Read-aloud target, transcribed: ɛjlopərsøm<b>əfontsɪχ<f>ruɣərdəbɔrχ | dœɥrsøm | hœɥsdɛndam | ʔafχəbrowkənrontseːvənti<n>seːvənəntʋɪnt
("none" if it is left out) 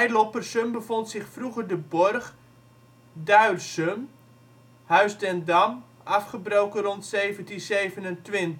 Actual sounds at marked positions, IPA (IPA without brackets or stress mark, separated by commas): b, f, n